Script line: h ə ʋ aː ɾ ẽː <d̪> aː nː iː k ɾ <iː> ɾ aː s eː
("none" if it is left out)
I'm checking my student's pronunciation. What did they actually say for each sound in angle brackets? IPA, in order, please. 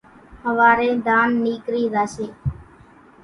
d̪, iː

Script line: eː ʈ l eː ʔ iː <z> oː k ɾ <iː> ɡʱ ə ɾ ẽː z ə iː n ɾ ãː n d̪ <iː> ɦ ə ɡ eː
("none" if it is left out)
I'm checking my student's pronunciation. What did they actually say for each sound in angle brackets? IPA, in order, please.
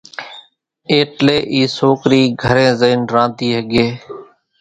s, iː, iː

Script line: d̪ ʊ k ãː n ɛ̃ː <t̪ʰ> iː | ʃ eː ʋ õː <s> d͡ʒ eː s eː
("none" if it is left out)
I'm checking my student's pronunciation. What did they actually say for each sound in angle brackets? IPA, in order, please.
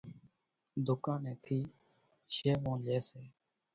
t̪ʰ, none

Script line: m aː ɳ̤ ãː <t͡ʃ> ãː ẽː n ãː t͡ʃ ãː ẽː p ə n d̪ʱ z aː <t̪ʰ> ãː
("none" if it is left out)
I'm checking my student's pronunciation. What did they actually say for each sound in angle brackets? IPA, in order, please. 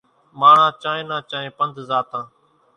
t͡ʃ, t̪

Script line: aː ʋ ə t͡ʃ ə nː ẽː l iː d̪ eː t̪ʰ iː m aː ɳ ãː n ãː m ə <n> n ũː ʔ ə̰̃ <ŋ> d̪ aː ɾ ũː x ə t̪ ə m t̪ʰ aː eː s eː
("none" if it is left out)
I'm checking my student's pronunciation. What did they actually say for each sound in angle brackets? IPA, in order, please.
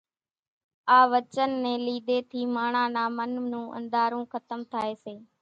n, n

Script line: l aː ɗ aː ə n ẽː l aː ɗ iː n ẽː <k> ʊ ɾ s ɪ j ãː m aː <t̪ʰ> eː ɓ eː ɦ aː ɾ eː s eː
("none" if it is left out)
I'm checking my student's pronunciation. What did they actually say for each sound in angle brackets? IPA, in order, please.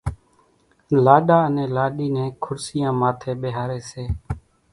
kʰ, t̪ʰ

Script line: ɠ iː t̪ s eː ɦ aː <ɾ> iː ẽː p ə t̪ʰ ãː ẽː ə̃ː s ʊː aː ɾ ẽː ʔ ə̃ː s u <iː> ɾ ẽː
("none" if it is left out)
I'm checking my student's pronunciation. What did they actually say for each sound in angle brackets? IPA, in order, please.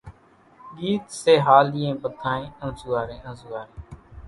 l, aː

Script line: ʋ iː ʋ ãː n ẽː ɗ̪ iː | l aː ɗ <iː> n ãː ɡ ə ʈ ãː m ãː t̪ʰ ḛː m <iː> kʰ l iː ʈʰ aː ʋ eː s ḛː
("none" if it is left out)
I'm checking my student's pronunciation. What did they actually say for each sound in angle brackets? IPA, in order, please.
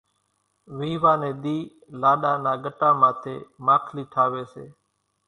aː, aː

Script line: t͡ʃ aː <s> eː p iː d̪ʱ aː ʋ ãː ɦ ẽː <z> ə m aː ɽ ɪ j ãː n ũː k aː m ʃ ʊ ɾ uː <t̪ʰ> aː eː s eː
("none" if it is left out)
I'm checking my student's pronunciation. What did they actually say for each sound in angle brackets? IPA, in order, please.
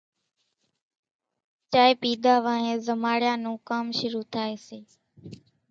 none, z, t̪ʰ

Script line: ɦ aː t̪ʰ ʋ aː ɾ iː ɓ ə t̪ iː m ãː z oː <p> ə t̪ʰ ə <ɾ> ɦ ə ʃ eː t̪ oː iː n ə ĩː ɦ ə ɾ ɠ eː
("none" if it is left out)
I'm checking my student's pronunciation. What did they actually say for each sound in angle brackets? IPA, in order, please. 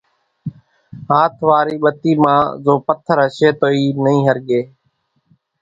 p, ɾ

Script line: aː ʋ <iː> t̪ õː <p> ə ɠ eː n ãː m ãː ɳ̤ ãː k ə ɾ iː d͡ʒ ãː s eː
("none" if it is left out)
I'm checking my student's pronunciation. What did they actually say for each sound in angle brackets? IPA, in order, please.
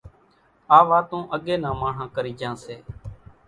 aː, ʔ

